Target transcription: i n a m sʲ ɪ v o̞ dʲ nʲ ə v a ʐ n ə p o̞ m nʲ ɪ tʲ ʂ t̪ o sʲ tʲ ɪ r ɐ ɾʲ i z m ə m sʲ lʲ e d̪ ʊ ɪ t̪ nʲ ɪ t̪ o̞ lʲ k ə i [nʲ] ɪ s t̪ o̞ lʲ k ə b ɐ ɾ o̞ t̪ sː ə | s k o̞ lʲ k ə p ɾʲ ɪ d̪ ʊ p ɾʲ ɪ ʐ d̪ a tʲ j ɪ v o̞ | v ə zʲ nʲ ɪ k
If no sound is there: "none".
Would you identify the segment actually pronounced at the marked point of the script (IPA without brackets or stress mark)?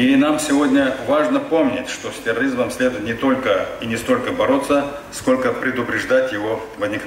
nʲ